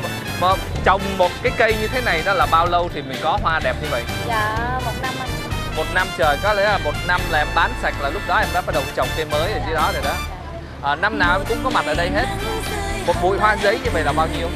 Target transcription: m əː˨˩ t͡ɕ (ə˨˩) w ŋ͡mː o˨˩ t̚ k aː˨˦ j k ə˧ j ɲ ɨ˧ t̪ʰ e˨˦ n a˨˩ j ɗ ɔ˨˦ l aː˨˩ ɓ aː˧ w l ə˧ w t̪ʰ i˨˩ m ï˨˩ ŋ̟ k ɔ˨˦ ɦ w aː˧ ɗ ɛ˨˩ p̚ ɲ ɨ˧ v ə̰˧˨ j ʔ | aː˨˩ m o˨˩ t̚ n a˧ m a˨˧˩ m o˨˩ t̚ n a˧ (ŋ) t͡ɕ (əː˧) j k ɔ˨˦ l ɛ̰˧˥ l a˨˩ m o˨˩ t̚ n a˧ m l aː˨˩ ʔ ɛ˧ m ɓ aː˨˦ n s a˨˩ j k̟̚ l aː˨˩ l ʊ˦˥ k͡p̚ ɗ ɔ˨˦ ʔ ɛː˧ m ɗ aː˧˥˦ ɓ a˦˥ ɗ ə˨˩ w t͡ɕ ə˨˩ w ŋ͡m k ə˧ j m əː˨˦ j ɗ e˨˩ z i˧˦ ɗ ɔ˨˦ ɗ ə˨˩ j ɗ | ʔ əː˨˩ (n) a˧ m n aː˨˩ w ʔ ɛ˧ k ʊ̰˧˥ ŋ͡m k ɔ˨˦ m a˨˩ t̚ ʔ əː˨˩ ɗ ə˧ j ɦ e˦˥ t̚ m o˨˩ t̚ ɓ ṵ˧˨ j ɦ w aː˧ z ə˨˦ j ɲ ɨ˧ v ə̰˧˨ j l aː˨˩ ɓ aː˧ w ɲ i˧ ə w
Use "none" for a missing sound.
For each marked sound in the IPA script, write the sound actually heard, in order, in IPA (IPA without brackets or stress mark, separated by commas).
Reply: ə˨˩, m, əː˨˩, n